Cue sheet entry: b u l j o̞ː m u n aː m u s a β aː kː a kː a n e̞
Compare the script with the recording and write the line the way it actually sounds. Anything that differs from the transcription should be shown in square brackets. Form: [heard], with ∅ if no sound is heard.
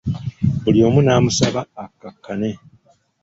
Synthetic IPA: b u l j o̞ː m u n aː m u s a β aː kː a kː a n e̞